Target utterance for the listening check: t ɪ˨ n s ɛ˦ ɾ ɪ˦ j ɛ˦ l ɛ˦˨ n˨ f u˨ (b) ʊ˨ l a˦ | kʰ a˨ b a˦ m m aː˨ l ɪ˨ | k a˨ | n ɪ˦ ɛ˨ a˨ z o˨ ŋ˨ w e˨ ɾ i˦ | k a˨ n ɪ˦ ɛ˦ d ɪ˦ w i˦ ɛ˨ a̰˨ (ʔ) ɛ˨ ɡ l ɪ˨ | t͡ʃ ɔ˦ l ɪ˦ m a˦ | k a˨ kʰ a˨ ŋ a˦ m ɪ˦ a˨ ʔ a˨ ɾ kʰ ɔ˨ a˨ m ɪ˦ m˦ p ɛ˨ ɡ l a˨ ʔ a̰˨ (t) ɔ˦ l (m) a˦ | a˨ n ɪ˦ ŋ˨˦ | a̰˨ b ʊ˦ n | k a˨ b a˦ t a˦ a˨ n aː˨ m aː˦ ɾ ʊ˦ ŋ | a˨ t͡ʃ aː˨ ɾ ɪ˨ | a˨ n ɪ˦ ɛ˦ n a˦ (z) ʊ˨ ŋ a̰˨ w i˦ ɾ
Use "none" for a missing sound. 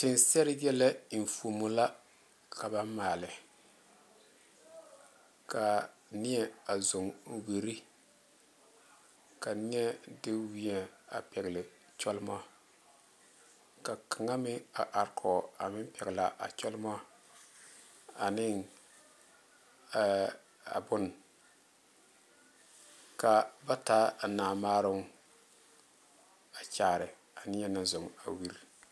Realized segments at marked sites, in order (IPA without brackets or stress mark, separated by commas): m, p, t͡ʃ, m, z